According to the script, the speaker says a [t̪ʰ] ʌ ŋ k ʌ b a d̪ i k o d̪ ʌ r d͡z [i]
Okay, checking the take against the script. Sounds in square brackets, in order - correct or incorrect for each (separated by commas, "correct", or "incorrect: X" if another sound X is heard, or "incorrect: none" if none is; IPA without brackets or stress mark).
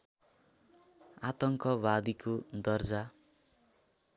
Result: incorrect: t̪, incorrect: a